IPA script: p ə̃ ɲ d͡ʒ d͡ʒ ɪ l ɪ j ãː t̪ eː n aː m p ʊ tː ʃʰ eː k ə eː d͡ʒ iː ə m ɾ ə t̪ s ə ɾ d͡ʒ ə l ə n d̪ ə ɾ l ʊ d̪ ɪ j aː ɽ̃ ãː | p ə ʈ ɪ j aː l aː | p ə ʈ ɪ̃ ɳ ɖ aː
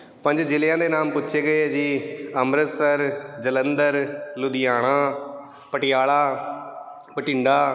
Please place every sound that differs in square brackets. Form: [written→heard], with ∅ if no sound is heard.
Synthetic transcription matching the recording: p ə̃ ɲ d͡ʒ d͡ʒ ɪ l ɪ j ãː [t̪→d̪] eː n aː m p ʊ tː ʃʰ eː [k→ɡ] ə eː d͡ʒ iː ə m ɾ ə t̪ s ə ɾ d͡ʒ ə l ə n d̪ ə ɾ l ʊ d̪ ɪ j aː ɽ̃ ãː | p ə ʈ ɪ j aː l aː | p ə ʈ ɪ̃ ɳ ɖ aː